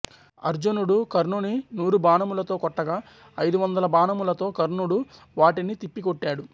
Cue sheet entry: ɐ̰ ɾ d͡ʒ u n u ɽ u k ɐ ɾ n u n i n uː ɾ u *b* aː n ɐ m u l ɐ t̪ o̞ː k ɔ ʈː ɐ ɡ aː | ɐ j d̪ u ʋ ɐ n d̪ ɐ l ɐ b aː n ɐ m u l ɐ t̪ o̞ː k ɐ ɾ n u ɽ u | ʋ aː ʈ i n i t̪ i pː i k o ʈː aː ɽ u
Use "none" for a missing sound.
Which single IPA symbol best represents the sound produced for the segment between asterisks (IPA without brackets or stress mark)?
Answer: b